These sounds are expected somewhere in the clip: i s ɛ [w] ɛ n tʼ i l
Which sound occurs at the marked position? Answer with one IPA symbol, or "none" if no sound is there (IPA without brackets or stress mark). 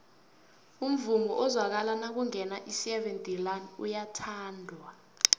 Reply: v